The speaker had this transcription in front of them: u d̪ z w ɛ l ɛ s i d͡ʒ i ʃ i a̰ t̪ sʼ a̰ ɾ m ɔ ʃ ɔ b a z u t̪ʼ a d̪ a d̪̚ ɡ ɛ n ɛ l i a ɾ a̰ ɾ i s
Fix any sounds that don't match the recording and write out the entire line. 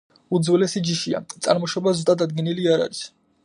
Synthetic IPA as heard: u d̪ z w ɛ l ɛ s i d͡ʒ i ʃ i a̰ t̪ sʼ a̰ ɾ m ɔ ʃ ɔ b a z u t̪ʼ a d̪ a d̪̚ ɡ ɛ n i l i a ɾ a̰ ɾ i s